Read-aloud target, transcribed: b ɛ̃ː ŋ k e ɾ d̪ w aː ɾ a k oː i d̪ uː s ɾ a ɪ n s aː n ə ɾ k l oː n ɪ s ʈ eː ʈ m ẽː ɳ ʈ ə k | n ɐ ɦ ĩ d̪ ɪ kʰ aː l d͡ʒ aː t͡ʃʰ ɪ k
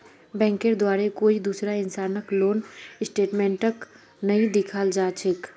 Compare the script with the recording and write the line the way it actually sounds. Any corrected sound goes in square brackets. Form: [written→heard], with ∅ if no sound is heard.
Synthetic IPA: b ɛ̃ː ŋ k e ɾ d̪ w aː ɾ [a→e] k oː i d̪ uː s ɾ a ɪ n s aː n ə [ɾ→∅] k l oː n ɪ s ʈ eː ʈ m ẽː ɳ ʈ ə k | n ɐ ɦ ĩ d̪ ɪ kʰ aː l d͡ʒ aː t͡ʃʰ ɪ k